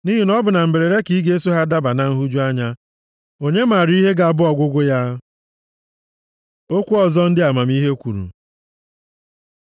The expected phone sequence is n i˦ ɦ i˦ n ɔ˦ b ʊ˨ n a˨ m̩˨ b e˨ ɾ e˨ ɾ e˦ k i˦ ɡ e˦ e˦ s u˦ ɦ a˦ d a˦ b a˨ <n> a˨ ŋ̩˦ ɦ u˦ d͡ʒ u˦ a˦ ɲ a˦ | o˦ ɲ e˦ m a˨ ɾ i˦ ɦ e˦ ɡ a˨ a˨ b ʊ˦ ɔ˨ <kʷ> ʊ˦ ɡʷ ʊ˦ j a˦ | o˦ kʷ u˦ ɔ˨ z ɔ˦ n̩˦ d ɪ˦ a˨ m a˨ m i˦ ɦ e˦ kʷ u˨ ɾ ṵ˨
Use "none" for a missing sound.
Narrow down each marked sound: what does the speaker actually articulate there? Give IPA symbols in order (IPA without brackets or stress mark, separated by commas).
n, ɡʷ